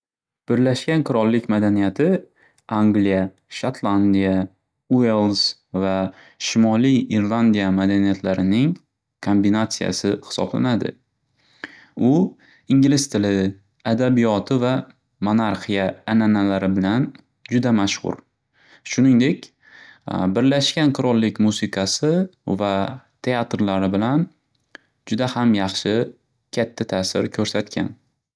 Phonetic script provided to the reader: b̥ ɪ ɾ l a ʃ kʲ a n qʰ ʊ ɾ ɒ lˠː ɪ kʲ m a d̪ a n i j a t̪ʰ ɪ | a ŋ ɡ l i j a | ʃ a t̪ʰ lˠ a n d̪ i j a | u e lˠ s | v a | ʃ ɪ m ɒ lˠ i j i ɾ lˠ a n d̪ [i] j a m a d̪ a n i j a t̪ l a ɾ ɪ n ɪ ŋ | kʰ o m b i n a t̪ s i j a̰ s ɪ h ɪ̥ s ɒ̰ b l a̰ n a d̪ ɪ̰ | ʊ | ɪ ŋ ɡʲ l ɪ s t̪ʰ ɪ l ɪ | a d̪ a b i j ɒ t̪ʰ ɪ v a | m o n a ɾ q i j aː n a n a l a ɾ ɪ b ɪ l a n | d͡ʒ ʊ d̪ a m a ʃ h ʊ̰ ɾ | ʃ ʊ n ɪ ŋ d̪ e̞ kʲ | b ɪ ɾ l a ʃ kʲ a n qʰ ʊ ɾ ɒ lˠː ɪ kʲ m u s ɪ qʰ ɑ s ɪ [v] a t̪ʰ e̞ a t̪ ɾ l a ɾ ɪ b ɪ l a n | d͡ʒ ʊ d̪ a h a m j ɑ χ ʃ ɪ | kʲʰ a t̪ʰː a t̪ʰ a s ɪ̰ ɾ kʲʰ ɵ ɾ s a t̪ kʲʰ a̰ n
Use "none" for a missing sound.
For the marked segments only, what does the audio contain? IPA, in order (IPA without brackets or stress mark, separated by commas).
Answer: i, v